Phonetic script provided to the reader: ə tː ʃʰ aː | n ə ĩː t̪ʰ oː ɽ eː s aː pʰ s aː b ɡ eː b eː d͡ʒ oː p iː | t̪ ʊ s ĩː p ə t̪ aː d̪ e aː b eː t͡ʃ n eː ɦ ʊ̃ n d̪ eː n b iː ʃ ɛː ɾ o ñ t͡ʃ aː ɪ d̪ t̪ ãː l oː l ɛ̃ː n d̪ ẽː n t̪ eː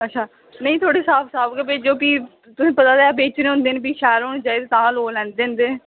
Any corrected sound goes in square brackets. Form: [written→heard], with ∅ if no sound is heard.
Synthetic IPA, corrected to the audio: ə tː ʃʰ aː | n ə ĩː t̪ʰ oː ɽ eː s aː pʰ s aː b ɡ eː b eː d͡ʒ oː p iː | t̪ ʊ s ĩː p ə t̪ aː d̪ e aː b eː t͡ʃ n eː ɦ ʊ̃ n d̪ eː n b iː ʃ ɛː ɾ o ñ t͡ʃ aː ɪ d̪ t̪ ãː l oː l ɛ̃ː n d̪ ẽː n [t̪→d̪] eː